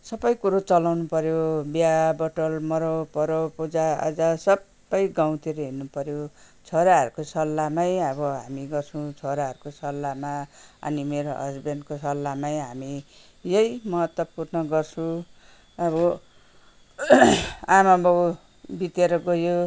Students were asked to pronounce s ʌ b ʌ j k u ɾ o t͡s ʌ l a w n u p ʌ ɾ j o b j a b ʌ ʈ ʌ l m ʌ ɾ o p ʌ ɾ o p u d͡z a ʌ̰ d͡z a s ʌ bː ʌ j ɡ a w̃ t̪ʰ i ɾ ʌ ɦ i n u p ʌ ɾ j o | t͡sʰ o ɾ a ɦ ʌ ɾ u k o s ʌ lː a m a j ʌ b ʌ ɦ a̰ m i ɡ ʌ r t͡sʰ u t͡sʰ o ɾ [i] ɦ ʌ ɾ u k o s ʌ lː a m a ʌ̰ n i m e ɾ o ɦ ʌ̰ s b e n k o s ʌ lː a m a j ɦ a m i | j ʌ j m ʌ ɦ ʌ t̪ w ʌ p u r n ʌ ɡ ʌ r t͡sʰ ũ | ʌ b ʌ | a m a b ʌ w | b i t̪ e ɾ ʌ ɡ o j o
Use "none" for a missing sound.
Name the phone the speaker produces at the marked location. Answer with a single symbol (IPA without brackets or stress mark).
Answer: a